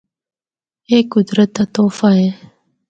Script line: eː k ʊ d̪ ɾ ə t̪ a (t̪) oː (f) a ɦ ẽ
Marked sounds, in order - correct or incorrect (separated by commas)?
correct, correct